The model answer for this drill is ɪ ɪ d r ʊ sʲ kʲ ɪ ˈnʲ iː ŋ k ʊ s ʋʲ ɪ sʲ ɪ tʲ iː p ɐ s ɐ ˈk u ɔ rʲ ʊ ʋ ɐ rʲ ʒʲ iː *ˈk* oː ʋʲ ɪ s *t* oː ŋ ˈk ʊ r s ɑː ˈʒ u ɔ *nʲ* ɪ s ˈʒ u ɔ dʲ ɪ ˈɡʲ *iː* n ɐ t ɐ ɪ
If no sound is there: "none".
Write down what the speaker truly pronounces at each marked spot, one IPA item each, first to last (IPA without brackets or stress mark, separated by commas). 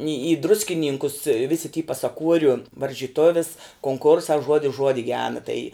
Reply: t, k, dʲ, æː